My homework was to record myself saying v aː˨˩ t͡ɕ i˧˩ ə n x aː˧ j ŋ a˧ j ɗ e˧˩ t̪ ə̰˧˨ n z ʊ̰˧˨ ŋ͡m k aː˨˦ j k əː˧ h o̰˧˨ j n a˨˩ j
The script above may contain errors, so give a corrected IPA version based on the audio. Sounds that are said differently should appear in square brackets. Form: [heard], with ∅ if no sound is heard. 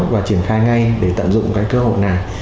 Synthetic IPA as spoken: v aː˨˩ t͡ɕ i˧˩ ə n x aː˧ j ŋ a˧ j ɗ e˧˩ t̪ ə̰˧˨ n z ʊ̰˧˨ ŋ͡m k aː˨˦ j k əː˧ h o̰˧˨ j n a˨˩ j